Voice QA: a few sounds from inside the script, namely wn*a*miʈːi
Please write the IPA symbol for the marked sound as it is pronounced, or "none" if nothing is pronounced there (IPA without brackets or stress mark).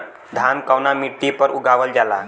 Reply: a